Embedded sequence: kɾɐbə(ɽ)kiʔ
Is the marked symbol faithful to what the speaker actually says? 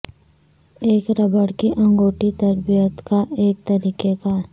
yes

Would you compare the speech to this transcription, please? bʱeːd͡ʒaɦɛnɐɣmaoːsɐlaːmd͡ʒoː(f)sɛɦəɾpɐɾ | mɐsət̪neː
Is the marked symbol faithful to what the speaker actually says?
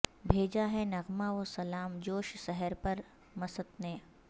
no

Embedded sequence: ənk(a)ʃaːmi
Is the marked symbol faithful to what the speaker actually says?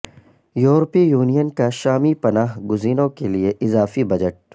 yes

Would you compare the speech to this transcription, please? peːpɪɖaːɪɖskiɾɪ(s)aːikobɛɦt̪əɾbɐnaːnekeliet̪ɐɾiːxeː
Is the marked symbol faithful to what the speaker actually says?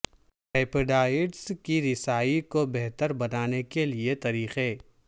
yes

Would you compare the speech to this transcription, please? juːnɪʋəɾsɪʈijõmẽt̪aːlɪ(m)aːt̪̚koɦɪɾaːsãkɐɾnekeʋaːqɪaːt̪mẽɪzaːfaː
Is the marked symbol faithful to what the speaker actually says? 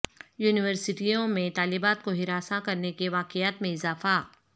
no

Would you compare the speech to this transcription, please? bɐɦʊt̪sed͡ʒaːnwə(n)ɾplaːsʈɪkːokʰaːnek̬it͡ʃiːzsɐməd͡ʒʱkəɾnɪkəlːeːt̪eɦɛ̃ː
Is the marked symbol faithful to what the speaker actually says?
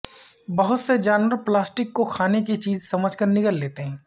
no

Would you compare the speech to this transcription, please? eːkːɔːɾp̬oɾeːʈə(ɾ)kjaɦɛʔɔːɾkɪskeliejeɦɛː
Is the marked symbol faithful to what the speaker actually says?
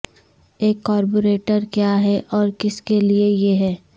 yes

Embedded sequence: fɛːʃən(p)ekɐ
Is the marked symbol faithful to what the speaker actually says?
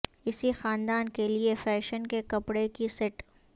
no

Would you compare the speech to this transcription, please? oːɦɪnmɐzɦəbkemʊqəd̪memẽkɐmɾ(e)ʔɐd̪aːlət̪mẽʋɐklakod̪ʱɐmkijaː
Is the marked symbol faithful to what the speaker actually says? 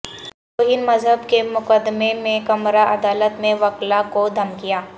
no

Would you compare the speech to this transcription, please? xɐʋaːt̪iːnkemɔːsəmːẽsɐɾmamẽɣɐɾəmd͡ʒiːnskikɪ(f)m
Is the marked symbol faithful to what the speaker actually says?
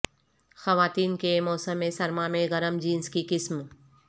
no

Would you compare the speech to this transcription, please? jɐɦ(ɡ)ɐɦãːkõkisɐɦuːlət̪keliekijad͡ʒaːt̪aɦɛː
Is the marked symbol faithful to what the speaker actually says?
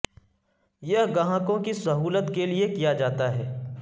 yes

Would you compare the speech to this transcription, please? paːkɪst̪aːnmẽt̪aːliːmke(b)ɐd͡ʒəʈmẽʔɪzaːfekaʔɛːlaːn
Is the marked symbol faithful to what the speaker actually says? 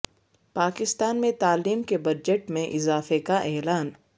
yes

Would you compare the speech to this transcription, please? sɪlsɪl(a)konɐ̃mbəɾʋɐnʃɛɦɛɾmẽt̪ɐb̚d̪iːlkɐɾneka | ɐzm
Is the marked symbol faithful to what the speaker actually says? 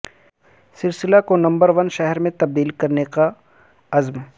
yes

